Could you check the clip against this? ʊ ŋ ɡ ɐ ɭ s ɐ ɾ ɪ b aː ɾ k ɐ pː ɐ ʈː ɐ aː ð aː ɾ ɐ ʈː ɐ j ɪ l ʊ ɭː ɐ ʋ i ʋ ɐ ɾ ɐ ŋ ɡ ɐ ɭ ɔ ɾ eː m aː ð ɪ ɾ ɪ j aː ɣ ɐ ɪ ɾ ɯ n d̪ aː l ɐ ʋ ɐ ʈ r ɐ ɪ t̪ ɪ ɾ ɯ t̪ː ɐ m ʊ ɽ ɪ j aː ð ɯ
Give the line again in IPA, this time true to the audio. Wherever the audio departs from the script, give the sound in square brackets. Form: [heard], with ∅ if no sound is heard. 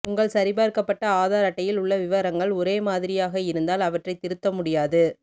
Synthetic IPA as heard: ʊ ŋ ɡ ɐ ɭ s ɐ ɾ ɪ b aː ɾ k ɐ pː ɐ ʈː ɐ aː ð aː ɾ ɐ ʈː ɐ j ɪ l ʊ ɭː ɐ ʋ [ɪ] ʋ ɐ ɾ ɐ ŋ ɡ ɐ ɭ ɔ ɾ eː m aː ð ɪ ɾ ɪ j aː ɣ ɐ ɪ ɾ ɯ n d̪ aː l ɐ ʋ ɐ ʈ r ɐ ɪ t̪ ɪ ɾ ɯ t̪ː ɐ m ʊ ɽ ɪ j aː ð ɯ